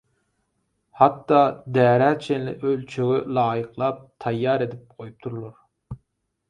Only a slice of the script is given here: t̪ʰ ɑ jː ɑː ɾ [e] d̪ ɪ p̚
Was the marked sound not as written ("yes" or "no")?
no